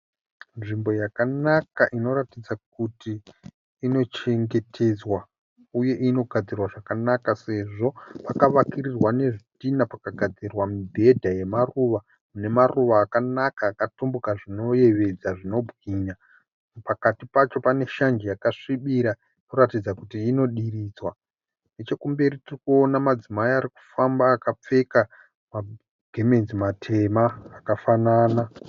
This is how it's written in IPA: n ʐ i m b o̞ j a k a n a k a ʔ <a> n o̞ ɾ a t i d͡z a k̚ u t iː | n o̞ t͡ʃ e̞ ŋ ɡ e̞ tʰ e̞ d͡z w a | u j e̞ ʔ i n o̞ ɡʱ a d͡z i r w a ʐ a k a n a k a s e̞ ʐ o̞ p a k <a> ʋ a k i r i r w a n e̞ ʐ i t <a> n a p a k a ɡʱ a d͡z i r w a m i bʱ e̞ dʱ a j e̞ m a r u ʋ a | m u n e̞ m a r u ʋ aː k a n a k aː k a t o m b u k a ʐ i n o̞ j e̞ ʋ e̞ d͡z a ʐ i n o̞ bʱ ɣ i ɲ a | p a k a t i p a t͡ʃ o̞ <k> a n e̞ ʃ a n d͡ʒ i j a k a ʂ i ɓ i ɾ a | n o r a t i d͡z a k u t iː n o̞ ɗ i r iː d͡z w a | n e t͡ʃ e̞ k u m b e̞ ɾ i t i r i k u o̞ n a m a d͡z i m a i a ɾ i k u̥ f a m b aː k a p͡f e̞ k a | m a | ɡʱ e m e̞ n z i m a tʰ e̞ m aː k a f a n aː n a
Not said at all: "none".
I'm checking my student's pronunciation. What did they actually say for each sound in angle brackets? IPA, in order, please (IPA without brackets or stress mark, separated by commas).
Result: i, a, i, p